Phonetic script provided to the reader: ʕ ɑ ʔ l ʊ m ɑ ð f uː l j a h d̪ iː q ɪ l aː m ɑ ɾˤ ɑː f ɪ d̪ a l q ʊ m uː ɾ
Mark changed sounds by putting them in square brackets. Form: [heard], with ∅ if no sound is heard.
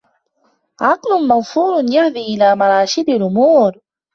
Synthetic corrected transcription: ʕ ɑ [q] l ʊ m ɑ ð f uː [ɾ] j a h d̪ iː [ʔ] ɪ l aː m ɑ ɾˤ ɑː [ʃ] ɪ d̪ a l [ʔ] ʊ m uː ɾ

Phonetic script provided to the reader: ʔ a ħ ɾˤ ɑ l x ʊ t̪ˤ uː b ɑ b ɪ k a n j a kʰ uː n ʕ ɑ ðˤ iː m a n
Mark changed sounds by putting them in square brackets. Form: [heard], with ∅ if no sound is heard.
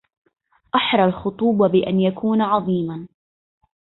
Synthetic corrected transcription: ʔ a ħ ɾˤ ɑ l x ʊ t̪ˤ uː b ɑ b ɪ [ʔ] a n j a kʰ uː n ʕ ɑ ðˤ iː m a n

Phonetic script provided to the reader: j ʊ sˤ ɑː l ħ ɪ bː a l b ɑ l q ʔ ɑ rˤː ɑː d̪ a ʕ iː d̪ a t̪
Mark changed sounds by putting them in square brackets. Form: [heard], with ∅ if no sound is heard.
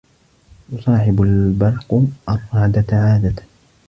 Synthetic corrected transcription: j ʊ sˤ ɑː [∅] ħ ɪ [b] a l b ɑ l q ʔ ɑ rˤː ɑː d̪ a ʕ [aː] d̪ a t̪

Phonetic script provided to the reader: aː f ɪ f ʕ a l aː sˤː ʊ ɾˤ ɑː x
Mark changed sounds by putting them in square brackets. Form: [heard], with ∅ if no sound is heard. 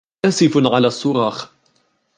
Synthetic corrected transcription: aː [s] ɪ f ʕ a l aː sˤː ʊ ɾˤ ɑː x

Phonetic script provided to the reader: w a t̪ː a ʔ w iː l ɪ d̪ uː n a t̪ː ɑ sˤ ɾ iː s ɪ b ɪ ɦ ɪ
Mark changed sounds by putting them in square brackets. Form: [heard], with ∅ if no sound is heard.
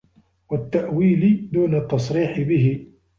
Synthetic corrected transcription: w a t̪ː a ʔ w iː l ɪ d̪ uː n a t̪ː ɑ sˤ ɾ iː [ħ] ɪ b ɪ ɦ ɪ

